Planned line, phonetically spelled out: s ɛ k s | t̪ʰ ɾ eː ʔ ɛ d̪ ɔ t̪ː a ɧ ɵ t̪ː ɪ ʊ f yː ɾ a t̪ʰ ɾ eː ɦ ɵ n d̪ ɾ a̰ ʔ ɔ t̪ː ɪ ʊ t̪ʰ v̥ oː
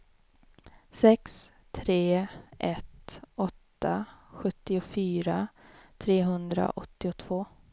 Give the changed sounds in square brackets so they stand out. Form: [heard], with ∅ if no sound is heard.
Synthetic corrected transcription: s ɛ k s | t̪ʰ ɾ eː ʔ ɛ [t̪] ɔ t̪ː a ɧ ɵ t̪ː ɪ ʊ f yː ɾ a t̪ʰ ɾ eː ɦ ɵ n d̪ ɾ a̰ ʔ ɔ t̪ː ɪ ʊ t̪ʰ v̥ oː